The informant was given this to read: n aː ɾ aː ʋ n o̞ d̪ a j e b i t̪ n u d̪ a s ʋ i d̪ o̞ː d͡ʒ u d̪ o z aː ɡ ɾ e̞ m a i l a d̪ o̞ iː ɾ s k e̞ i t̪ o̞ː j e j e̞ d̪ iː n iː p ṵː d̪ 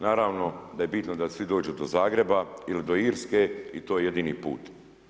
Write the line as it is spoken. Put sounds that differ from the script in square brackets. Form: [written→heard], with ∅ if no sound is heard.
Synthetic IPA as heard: n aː ɾ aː ʋ n o̞ d̪ a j e b i t̪ n [u→o] d̪ a s ʋ i d̪ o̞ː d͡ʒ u d̪ o z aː ɡ ɾ e̞ [m→b] a i l [a→i] d̪ o̞ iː ɾ s k e̞ i t̪ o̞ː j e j e̞ d̪ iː n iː p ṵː [d̪→t̪]